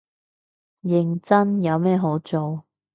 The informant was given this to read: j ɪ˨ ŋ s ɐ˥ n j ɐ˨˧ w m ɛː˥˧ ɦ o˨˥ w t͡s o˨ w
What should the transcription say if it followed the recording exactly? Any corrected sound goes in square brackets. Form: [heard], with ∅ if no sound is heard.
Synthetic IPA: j ɪ˨ ŋ [t͡s] ɐ˥ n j ɐ˨˧ w m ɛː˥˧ ɦ o˨˥ w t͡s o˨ w

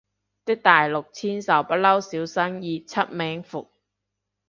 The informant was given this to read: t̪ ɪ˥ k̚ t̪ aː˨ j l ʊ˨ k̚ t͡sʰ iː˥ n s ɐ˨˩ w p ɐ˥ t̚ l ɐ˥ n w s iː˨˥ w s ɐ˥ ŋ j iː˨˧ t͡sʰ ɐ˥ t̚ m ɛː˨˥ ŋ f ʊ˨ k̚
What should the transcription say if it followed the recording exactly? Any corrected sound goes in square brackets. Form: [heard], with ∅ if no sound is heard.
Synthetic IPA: t̪ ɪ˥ k̚ t̪ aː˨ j l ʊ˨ k̚ t͡sʰ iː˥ n s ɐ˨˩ w p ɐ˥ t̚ l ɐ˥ [∅] w s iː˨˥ w s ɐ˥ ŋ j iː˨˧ t͡sʰ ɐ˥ t̚ m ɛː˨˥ ŋ f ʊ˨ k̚

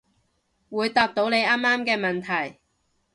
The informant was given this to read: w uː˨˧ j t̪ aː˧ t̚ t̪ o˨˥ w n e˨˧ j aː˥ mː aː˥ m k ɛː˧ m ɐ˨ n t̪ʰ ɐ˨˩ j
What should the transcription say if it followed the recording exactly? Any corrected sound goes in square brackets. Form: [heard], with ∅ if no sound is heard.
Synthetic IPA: w uː˨˧ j t̪ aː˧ [p̚] t̪ o˨˥ w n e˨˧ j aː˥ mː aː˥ m k ɛː˧ m ɐ˨ n t̪ʰ ɐ˨˩ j

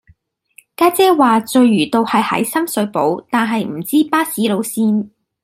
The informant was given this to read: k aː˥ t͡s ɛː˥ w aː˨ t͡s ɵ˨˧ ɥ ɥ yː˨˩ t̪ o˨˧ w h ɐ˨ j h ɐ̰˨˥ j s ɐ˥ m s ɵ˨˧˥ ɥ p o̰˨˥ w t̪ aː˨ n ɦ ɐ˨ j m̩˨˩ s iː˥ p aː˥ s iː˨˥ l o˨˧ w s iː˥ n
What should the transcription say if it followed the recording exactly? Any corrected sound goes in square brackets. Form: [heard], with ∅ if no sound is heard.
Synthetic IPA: k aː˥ t͡s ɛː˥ w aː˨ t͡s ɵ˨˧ ɥ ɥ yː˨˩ t̪ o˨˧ w h ɐ˨ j h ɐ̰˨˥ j s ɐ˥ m s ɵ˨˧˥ ɥ p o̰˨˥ w t̪ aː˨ n ɦ ɐ˨ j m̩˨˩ [t͡s] iː˥ p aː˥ s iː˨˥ l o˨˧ w s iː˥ n

